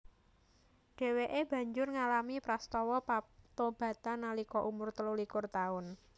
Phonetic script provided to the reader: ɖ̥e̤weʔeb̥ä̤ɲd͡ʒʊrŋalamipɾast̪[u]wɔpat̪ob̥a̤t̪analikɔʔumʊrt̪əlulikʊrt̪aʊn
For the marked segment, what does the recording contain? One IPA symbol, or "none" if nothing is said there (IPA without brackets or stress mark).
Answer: ɔ